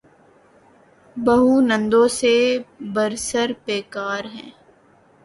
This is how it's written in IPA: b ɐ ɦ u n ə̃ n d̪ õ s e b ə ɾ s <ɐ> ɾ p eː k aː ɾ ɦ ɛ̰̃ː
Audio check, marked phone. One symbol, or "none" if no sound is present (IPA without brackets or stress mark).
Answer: ə